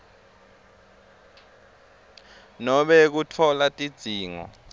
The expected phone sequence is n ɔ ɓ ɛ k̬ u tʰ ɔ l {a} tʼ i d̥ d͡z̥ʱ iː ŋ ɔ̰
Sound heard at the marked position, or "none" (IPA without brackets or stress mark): a